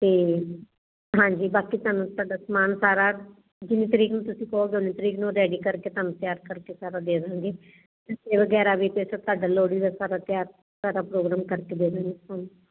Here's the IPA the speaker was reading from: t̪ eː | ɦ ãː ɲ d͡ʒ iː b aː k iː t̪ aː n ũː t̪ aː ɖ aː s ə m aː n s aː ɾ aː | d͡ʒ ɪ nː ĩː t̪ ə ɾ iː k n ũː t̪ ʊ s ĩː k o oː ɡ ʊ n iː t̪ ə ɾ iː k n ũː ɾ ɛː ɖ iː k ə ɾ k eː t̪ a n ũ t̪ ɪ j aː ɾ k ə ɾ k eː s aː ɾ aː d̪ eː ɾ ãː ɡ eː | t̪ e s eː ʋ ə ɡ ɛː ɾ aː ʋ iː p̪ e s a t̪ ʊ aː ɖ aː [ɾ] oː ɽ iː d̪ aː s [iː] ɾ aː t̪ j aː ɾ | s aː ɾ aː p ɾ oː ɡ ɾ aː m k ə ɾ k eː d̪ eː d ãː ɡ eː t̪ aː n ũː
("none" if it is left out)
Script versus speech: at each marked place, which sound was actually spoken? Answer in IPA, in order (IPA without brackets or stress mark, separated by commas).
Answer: l, aː